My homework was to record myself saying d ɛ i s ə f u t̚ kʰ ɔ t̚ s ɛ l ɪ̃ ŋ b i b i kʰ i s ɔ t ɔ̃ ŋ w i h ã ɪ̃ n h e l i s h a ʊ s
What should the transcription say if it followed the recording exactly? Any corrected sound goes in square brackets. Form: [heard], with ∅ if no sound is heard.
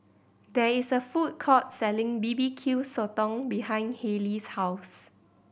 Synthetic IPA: d ɛ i s ə f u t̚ kʰ ɔ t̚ s ɛ l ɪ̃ ŋ b i b i kʰ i s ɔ t ɔ̃ ŋ [b] i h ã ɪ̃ n h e l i s h a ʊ s